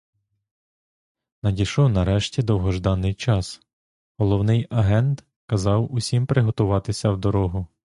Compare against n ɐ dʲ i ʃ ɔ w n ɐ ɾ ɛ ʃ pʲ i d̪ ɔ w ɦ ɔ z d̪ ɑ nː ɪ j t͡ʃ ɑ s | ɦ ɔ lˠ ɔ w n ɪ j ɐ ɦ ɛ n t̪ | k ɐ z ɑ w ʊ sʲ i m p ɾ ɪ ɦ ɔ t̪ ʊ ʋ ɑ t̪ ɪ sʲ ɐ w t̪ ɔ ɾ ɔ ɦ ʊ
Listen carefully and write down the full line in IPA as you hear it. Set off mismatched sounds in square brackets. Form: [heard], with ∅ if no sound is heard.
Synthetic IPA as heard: n ɐ dʲ i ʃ ɔ w n ɐ ɾ ɛ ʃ [tʲ] i d̪ ɔ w ɦ ɔ [ʒ] d̪ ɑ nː ɪ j t͡ʃ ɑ s | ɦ ɔ lˠ ɔ w n ɪ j ɐ ɦ ɛ n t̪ | k ɐ z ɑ w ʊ sʲ i m p ɾ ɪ ɦ ɔ t̪ ʊ ʋ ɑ t̪ ɪ sʲ ɐ w [d̪] ɔ ɾ ɔ ɦ ʊ